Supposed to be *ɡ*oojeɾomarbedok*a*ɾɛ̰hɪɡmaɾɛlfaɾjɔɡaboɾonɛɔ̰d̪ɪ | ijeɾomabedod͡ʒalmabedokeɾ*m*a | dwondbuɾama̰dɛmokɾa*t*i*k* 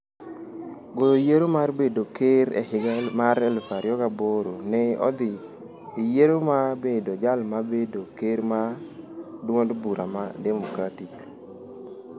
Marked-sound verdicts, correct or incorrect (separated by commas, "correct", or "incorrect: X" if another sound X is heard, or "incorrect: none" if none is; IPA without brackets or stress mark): correct, incorrect: e, correct, correct, correct